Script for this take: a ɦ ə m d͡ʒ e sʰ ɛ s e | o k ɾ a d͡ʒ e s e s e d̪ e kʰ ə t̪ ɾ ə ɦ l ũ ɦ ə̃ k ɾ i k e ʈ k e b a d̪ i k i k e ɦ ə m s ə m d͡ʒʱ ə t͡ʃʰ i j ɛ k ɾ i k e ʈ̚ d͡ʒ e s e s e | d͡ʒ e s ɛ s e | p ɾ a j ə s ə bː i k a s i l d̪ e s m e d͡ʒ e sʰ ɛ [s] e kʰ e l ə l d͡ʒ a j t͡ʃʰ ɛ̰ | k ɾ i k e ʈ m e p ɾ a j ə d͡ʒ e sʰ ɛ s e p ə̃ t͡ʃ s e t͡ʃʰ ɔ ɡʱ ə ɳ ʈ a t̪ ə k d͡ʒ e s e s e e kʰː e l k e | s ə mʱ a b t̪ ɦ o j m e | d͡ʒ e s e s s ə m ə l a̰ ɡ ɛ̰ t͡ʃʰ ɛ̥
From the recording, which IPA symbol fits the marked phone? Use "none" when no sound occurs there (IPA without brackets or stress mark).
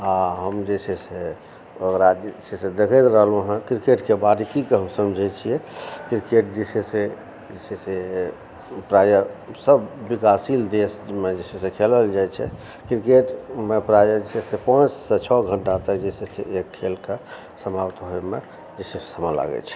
s